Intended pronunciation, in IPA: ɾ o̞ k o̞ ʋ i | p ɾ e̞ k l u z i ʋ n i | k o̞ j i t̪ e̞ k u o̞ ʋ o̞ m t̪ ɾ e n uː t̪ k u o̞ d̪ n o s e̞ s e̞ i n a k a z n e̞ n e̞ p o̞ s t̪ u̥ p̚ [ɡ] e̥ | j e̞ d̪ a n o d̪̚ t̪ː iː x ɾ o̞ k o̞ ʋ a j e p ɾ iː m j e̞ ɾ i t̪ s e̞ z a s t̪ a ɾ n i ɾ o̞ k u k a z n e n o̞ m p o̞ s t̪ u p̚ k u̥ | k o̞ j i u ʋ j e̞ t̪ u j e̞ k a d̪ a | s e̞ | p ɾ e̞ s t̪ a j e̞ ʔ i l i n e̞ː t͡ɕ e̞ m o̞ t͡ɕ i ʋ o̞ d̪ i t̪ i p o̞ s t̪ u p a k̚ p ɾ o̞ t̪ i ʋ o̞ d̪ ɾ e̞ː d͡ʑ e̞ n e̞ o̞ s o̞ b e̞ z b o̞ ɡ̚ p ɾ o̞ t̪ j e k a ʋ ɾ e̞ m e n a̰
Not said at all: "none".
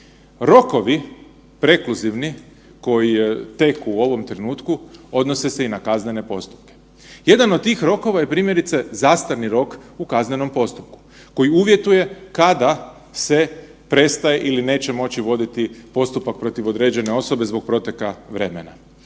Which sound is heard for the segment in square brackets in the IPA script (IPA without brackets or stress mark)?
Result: k